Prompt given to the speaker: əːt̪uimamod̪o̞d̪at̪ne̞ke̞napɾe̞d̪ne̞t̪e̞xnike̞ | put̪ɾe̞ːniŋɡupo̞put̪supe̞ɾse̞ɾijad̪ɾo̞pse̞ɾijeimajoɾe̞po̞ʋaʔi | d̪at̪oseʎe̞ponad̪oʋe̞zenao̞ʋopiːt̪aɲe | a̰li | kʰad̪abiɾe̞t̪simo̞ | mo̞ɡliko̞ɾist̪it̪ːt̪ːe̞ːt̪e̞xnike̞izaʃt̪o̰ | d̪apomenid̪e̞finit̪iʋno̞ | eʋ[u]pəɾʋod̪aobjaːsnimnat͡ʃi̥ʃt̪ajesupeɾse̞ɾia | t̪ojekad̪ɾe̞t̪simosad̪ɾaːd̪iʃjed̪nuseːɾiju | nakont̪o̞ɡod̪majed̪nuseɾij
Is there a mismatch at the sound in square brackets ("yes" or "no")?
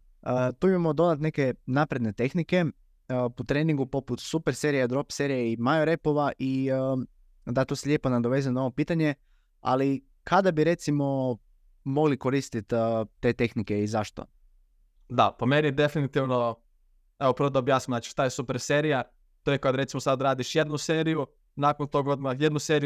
yes